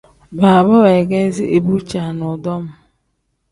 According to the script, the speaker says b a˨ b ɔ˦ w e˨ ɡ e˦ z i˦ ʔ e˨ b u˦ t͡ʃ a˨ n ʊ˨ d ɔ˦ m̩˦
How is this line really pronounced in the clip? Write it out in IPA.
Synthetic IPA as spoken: b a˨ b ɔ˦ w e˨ ɡ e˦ z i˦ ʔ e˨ b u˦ t͡ʃ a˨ n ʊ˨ d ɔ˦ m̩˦